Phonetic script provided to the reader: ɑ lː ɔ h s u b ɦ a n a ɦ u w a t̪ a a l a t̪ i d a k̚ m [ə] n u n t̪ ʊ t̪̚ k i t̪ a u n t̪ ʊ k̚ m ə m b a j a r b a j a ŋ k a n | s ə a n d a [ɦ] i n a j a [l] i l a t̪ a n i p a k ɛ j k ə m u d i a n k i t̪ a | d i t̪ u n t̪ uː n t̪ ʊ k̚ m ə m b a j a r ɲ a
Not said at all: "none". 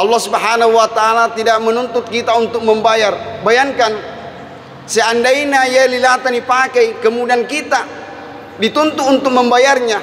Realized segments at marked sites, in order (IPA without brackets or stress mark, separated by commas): ə, none, l